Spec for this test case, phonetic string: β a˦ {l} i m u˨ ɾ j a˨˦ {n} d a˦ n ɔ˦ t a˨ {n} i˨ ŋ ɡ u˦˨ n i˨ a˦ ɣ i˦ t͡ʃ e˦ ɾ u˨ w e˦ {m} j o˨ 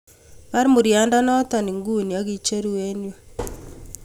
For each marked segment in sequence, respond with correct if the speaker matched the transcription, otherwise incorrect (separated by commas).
incorrect, correct, correct, incorrect